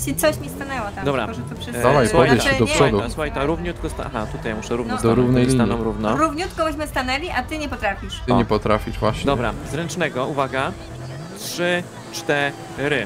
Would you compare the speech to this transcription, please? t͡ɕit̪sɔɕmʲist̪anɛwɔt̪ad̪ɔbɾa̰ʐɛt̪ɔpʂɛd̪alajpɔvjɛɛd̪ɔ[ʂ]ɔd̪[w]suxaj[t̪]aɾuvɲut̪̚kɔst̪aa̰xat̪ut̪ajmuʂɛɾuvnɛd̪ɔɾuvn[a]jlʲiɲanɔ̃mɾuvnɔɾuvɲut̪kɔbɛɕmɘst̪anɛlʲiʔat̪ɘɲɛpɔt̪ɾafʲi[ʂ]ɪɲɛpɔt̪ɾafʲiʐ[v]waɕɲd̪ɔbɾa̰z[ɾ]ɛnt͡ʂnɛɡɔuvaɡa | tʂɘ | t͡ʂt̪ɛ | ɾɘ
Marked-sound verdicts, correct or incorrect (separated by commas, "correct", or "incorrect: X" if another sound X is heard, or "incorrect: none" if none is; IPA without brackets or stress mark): correct, incorrect: u, correct, incorrect: ɛ, correct, correct, correct